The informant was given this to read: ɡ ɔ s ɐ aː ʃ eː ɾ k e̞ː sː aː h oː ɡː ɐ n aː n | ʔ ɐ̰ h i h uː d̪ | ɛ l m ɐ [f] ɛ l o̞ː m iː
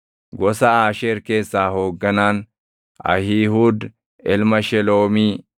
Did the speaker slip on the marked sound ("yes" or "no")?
yes